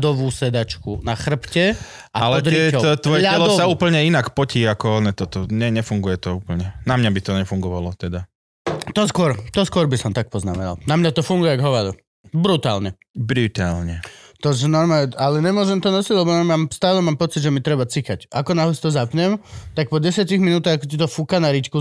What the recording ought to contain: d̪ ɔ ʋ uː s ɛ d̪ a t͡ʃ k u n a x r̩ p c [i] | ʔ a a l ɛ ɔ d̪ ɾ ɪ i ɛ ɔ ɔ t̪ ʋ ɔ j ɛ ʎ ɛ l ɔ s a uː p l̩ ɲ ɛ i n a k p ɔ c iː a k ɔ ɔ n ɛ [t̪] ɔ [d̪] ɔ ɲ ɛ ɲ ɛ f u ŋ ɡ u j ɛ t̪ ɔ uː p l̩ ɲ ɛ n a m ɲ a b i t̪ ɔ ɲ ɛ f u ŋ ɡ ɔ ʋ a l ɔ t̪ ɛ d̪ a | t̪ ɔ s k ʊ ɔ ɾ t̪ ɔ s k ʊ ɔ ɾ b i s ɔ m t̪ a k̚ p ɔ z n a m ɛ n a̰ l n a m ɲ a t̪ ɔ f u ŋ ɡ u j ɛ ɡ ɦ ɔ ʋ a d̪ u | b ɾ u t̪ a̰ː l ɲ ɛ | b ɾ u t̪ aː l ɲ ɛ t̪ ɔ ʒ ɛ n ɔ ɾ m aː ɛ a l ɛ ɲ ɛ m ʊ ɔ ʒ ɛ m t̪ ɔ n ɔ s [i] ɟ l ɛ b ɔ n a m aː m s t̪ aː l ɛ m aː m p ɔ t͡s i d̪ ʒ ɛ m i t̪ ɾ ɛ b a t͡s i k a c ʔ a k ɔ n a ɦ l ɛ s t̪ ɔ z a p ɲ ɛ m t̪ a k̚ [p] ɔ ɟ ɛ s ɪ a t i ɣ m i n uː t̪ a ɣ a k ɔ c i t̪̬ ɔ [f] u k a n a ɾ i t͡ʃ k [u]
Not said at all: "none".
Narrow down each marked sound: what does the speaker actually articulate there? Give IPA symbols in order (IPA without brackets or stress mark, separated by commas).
ɛ, t̪, t̪, i, p, f, u